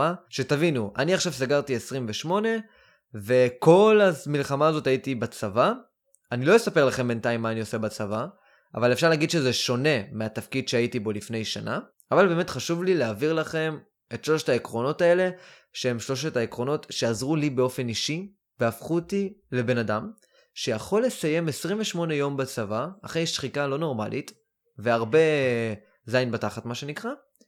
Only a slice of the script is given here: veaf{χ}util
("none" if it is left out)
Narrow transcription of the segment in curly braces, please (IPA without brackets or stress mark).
χ